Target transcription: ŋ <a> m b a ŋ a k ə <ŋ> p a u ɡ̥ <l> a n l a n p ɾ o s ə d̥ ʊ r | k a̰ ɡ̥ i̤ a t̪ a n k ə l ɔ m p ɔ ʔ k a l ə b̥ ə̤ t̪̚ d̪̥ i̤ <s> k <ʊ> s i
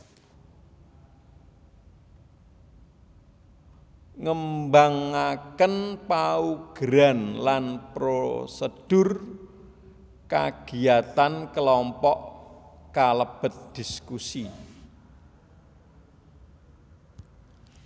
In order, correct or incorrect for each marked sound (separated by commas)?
incorrect, incorrect, incorrect, correct, incorrect